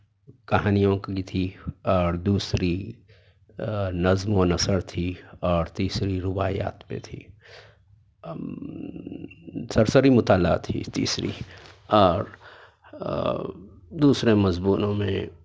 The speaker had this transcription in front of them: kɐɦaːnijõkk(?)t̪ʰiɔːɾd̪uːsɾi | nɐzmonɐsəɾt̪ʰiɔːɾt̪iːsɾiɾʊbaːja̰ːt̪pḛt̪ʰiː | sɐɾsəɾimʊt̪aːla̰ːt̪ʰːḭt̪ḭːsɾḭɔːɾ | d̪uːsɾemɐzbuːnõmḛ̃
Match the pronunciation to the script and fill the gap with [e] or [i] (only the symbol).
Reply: i